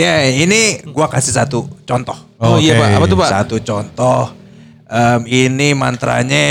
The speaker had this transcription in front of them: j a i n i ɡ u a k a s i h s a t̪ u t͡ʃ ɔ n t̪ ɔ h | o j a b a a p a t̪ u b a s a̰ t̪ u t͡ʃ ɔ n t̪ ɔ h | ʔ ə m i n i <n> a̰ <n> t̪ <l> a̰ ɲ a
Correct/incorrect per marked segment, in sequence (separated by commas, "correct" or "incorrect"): incorrect, correct, incorrect